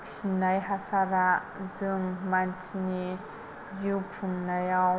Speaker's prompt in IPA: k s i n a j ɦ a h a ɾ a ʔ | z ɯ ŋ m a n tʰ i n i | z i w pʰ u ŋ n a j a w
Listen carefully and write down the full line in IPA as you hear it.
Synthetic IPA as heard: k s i n a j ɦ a s a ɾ a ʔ | z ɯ ŋ m a n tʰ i n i | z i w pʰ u ŋ n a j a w